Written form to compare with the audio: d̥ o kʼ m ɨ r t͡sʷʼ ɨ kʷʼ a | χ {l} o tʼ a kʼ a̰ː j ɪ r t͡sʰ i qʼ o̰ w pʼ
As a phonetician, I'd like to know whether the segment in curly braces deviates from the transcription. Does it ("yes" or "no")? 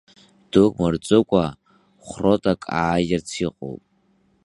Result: yes